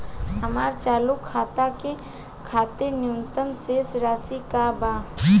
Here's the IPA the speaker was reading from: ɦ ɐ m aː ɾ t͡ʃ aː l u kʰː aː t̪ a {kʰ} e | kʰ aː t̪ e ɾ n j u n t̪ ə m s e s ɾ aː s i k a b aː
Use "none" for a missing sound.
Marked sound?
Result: k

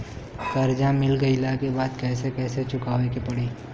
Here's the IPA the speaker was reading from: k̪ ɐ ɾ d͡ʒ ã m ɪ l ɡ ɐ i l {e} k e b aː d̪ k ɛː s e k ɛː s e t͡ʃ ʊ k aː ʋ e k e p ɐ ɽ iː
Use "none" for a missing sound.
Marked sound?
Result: a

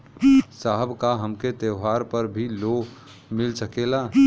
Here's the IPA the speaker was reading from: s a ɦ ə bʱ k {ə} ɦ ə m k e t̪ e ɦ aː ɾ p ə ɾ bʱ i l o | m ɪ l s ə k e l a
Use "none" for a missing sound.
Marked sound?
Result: a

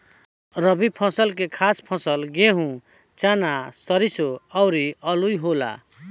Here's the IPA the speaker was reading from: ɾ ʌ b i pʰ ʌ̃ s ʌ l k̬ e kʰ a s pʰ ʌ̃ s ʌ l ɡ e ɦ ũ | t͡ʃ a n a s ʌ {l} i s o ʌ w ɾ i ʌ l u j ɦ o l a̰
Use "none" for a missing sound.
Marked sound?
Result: ɾ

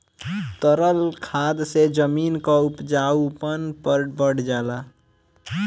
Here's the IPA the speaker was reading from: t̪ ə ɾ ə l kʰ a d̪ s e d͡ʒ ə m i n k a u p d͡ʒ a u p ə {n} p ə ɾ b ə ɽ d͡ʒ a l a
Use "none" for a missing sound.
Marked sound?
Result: n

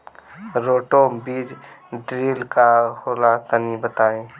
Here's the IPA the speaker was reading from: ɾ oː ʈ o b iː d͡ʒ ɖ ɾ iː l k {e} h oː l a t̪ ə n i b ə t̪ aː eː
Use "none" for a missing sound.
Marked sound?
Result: a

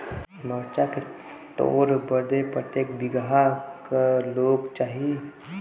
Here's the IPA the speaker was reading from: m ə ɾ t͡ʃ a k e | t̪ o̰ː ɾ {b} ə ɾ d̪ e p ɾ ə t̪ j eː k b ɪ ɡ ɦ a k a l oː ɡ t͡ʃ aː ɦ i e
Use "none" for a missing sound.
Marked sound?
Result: b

